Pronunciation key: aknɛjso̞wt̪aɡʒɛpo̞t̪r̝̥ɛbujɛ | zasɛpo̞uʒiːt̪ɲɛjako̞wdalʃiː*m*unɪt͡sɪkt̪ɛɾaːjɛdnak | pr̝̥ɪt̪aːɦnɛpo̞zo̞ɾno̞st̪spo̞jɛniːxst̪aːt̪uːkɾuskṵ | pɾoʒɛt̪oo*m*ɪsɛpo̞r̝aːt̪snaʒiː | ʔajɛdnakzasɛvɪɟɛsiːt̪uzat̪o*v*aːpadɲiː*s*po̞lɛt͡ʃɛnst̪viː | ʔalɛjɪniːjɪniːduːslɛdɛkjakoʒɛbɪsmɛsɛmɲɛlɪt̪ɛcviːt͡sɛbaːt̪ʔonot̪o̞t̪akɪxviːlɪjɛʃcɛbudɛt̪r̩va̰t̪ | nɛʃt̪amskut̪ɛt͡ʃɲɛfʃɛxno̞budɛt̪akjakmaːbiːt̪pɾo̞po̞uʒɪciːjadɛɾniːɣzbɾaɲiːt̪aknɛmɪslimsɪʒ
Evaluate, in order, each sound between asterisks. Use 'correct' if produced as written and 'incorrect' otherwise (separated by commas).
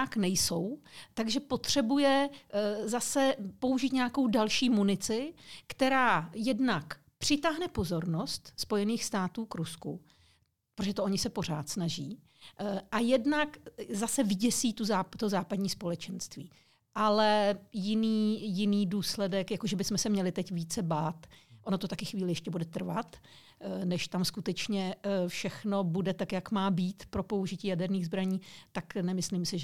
correct, incorrect, incorrect, correct